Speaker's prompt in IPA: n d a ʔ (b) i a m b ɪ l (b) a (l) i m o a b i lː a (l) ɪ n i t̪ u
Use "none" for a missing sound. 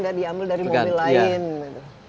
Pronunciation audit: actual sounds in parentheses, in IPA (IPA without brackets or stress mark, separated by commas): d, d, ɾ, none